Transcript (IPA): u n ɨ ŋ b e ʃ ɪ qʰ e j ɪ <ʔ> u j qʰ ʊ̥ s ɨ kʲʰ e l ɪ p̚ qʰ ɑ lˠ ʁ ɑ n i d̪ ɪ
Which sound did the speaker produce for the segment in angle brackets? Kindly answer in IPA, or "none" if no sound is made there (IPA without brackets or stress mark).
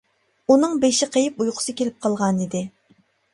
p